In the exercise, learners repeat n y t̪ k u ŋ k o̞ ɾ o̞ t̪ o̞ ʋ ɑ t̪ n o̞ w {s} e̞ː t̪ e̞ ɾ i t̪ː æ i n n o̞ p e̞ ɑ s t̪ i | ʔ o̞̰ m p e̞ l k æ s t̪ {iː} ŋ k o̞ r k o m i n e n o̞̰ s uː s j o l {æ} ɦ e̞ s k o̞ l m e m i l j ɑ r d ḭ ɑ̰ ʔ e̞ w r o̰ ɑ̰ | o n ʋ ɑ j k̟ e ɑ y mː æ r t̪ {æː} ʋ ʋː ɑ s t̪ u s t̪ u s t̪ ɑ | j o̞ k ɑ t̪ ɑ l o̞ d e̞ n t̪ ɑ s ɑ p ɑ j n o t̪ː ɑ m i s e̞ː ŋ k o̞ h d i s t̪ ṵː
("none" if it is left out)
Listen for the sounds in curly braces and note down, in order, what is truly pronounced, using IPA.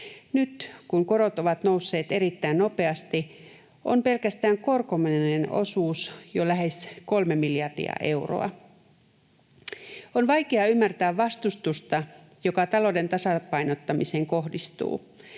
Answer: sː, æː, æ, æː

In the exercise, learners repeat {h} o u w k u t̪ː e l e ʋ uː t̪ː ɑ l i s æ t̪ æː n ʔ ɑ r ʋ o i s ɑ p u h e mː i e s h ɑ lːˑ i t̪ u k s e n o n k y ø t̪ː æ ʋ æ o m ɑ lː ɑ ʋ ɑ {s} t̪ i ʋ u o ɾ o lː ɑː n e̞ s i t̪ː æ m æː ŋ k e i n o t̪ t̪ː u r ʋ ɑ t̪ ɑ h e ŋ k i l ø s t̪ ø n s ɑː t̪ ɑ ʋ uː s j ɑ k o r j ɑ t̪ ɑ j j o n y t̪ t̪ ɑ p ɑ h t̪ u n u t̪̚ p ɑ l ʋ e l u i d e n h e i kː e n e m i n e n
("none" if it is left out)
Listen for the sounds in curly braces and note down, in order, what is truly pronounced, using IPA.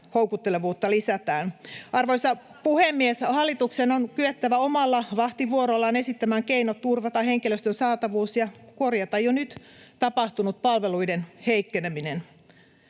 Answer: h, h

